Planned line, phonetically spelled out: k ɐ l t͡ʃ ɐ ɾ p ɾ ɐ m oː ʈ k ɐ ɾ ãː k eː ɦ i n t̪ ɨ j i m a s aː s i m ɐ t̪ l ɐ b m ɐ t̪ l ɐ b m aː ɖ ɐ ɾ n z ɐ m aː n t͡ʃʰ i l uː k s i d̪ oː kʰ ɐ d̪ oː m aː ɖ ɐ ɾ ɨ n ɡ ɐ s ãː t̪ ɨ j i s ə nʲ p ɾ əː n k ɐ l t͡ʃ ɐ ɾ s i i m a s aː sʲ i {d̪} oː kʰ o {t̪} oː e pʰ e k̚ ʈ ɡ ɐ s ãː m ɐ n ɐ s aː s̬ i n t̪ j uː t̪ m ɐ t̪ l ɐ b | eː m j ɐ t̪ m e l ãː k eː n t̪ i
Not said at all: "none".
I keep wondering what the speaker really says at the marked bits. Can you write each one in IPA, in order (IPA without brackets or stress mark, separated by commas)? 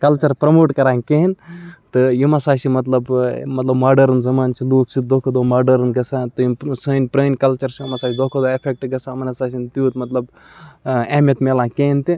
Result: d̪, d̪